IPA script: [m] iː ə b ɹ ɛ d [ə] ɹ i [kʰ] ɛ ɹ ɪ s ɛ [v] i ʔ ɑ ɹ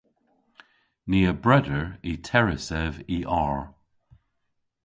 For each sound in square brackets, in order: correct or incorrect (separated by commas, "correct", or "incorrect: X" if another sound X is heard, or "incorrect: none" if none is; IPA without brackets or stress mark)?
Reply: incorrect: n, correct, incorrect: tʰ, correct